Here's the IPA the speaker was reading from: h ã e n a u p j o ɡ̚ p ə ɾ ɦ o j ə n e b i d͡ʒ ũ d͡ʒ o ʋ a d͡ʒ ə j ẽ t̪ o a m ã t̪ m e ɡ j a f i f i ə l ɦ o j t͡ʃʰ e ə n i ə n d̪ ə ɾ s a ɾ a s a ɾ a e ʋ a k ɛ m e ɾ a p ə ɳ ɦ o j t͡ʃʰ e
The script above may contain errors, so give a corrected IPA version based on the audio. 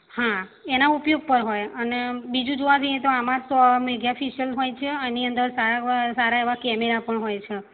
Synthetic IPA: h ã e n a u p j o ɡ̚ p ə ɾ ɦ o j ə n e b i d͡ʒ ũ d͡ʒ o ʋ a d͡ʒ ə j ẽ t̪ o a m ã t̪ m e ɡ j a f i ʃ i ə l ɦ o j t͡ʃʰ e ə n i ə n d̪ ə ɾ s a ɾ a s a ɾ a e ʋ a k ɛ m e ɾ a p ə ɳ ɦ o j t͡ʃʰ e